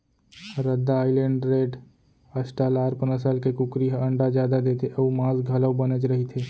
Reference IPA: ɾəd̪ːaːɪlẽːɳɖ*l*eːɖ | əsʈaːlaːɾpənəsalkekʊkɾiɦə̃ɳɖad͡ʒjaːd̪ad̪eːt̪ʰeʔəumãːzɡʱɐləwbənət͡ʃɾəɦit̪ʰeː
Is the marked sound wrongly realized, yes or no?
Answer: yes